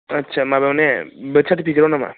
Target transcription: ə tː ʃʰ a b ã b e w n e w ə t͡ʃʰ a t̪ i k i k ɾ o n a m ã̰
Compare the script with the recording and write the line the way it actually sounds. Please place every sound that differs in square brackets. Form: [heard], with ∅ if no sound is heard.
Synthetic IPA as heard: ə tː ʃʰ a [m] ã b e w n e [b] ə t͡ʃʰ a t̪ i [p] i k ɾ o n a m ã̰